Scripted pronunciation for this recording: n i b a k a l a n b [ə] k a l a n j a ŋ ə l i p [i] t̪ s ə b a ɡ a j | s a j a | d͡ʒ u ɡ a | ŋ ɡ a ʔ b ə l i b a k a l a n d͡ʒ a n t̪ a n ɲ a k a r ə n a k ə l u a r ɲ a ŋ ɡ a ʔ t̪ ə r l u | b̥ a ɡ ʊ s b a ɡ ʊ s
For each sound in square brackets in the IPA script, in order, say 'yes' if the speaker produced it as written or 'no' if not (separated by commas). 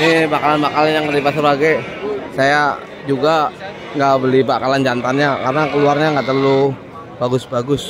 no, no